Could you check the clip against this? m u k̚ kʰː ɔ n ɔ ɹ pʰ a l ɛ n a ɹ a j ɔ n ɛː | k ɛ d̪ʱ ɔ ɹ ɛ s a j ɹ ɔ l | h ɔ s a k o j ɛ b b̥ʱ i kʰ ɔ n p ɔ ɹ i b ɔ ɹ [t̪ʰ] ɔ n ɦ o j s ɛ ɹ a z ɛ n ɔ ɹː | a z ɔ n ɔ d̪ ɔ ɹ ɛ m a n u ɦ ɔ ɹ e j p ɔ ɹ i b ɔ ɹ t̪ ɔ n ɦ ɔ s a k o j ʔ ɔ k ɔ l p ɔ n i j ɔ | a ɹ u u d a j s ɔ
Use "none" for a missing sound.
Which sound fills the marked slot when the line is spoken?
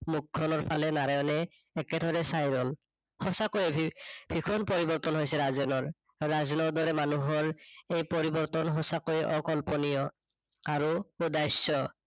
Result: t̪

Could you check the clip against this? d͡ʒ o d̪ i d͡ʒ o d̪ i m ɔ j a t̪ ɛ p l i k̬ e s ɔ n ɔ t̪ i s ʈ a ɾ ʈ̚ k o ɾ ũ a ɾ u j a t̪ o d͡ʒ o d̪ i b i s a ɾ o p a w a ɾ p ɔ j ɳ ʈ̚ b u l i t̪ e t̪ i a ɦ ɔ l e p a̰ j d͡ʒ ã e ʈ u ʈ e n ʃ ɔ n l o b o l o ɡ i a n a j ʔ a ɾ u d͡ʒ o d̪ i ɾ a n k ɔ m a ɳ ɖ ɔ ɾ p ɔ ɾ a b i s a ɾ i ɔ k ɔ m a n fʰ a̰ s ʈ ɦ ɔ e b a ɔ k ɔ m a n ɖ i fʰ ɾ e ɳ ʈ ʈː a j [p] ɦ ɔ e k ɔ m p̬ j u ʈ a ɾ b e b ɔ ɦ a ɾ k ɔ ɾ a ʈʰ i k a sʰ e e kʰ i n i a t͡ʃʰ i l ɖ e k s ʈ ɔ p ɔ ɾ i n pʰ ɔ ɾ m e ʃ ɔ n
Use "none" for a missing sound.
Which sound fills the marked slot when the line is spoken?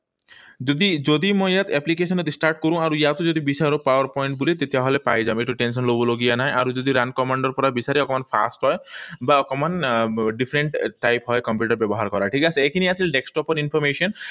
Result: p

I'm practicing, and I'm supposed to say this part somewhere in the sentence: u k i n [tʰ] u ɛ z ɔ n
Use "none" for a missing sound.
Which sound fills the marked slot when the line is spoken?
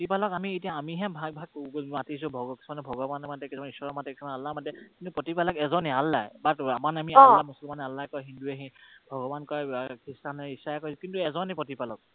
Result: t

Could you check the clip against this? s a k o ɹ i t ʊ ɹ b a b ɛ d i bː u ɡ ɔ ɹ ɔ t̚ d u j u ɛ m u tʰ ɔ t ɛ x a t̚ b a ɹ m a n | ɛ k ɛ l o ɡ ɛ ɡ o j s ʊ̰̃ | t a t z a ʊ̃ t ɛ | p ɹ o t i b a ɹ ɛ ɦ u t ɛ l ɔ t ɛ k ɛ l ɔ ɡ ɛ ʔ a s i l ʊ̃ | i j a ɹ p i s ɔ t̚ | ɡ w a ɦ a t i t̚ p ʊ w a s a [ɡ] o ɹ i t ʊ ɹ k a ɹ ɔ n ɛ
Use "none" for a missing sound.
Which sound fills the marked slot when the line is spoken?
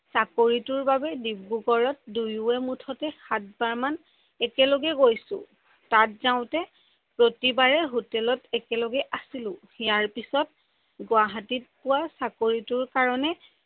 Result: k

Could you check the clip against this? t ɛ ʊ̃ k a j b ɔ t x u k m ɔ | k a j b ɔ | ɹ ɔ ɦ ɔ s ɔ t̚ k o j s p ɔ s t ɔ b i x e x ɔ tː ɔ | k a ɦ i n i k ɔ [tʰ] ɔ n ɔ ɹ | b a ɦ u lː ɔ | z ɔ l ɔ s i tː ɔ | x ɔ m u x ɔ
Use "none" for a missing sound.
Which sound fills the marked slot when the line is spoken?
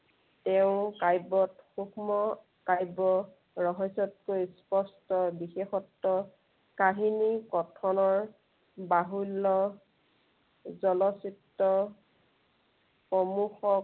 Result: tʰ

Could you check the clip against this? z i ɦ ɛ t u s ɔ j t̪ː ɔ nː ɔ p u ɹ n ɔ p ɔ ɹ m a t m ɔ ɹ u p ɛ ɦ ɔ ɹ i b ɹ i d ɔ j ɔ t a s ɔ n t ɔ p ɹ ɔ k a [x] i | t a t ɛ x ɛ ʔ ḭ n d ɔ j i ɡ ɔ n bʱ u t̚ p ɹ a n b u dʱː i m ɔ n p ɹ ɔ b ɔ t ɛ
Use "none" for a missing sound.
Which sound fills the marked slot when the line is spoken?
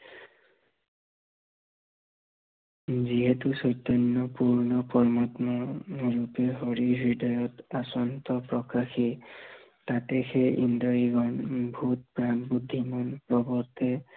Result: x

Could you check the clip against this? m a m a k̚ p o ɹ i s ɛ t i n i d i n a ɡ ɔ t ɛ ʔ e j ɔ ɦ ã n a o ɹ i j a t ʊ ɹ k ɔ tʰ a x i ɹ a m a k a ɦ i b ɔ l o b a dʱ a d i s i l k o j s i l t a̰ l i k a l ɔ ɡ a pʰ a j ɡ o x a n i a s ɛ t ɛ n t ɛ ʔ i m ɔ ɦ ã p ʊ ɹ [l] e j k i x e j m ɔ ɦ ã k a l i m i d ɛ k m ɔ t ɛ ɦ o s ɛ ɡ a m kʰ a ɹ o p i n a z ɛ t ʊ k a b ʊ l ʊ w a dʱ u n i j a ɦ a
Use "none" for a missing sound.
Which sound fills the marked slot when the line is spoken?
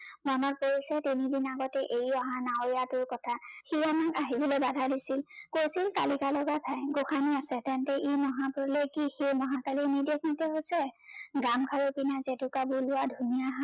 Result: l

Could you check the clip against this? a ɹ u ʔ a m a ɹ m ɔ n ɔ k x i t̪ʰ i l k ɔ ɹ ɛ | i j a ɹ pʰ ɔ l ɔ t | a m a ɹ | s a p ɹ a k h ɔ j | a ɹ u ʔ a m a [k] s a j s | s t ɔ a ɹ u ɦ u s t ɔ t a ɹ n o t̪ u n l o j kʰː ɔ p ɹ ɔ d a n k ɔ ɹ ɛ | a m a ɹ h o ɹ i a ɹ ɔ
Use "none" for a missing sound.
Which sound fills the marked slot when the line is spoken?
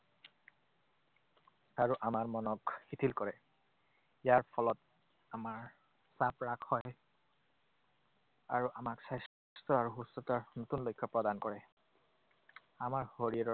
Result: k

